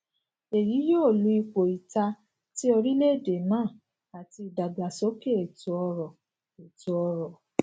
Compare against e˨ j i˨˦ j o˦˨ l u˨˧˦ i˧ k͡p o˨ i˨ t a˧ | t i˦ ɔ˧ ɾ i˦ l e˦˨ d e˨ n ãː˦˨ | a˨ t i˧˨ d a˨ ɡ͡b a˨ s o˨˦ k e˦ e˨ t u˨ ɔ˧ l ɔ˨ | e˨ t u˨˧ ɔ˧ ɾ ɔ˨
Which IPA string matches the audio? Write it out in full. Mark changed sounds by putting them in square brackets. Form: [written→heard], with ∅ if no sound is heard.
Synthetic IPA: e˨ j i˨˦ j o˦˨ l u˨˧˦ i˧ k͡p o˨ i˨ t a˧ | t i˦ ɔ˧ ɾ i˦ l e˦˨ d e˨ [n→m] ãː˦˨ | a˨ t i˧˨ d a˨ ɡ͡b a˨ s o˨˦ k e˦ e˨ t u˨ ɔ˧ [l→ɾ] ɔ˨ | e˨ t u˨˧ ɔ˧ ɾ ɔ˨